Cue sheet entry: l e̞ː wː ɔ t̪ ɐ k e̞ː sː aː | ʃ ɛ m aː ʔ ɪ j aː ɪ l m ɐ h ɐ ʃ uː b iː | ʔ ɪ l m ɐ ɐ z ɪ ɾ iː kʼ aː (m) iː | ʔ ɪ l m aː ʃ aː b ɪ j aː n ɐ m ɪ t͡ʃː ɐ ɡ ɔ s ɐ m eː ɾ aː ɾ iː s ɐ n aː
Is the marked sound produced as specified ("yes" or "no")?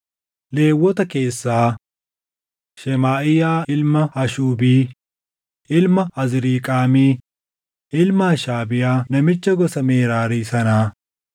yes